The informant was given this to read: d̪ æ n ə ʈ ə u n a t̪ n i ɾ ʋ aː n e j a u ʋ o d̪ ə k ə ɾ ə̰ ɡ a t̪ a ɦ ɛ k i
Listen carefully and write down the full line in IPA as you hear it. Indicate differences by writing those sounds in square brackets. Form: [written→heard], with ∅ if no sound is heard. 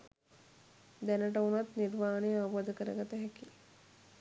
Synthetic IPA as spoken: d̪ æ n ə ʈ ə u n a t̪ n i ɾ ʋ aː n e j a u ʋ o d̪ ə k ə ɾ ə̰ ɡ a t̪ [a→ə] ɦ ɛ k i